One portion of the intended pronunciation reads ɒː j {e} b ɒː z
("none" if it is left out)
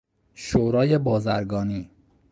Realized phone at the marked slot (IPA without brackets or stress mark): e